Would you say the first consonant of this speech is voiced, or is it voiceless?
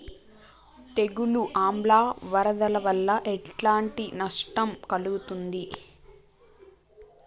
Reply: voiceless